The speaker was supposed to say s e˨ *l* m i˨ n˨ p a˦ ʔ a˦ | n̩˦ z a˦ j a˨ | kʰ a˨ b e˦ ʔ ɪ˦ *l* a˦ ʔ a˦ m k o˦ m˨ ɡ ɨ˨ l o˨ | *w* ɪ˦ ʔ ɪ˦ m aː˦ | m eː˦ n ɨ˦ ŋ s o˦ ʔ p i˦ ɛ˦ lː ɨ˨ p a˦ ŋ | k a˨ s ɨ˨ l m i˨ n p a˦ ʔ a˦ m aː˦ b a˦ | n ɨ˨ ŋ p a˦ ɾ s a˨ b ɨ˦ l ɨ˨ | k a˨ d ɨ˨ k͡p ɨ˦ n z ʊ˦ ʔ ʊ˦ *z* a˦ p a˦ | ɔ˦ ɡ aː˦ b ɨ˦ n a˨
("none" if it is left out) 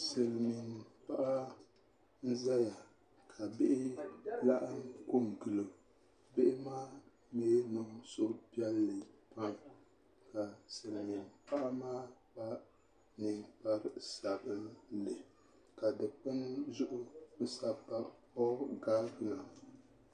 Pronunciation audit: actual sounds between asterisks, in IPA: l, l, b, s

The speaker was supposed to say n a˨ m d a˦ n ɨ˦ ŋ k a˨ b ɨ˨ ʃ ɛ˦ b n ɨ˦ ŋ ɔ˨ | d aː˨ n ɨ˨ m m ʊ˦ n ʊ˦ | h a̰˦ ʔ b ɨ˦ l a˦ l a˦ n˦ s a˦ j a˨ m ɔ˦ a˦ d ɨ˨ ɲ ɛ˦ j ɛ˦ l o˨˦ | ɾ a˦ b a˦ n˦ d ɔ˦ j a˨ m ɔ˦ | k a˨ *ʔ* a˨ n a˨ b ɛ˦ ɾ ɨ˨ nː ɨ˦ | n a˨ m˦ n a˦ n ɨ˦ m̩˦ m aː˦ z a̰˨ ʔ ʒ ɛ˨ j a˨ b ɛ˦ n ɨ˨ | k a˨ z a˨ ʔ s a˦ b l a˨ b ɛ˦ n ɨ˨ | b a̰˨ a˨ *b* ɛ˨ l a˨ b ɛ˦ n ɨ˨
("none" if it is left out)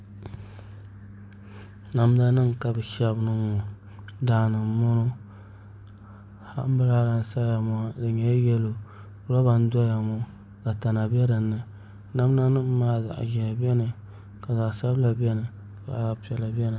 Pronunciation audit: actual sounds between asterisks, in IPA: t, p

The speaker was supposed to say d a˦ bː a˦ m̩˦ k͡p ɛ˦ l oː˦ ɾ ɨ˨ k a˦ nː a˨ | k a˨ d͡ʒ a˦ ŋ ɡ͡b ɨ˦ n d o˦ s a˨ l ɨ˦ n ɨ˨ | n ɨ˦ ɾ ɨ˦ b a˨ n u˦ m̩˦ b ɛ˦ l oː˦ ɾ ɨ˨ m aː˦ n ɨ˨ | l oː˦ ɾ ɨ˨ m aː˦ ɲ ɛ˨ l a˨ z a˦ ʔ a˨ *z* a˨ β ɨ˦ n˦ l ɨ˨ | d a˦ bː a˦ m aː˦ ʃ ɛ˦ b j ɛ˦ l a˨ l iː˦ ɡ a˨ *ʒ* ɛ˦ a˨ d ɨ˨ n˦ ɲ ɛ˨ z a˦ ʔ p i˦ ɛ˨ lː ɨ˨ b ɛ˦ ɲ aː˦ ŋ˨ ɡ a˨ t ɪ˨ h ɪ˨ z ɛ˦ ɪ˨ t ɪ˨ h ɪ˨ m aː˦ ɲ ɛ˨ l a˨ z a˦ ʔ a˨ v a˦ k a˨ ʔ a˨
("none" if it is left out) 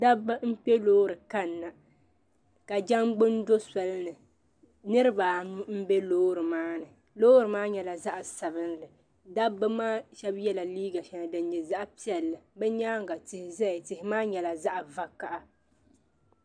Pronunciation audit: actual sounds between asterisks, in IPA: s, ʃ

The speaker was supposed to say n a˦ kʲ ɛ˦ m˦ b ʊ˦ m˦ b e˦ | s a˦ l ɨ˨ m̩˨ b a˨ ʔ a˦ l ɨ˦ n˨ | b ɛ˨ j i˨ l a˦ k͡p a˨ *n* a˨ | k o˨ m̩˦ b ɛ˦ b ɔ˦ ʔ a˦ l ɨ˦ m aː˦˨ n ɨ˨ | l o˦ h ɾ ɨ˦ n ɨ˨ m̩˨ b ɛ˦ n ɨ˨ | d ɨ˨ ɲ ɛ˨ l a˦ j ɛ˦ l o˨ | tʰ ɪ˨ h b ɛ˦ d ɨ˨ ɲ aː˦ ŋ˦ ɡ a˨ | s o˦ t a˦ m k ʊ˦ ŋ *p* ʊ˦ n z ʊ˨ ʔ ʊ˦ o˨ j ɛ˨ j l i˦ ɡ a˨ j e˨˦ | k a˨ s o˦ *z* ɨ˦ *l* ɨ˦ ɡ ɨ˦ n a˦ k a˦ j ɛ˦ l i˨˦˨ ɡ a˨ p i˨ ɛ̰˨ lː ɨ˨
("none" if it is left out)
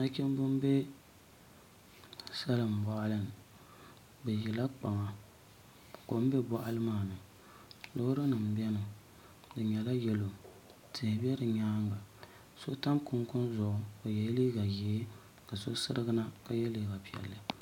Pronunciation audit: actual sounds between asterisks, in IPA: ŋ, k, s, ɾ

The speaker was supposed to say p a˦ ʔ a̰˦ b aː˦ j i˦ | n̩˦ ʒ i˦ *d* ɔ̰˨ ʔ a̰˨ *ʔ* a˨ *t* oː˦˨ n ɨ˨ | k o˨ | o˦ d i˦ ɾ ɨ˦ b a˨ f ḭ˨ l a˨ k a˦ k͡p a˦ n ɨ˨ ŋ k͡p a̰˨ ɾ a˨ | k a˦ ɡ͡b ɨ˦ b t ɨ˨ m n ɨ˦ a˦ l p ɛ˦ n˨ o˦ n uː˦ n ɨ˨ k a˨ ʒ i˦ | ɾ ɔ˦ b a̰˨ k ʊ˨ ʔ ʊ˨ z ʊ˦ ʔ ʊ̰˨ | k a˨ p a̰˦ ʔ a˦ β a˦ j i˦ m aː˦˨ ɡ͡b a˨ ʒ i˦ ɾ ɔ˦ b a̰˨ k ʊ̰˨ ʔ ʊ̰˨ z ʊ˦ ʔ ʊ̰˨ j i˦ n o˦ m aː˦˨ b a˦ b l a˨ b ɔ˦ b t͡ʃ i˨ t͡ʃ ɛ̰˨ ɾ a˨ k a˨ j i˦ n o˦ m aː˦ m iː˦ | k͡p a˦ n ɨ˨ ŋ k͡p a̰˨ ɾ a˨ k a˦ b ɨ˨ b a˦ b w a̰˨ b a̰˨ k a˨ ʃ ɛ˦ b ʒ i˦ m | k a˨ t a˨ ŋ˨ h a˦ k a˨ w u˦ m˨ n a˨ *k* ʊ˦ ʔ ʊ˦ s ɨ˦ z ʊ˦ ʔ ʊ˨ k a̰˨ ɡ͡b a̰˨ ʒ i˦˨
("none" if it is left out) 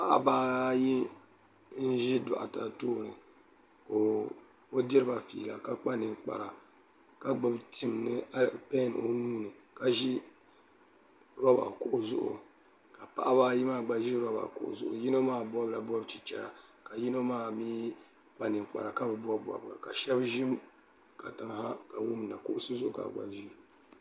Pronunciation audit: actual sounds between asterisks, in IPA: d, t, t, k

